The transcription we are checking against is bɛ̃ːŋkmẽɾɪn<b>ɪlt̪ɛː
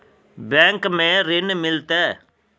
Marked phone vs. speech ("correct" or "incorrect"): incorrect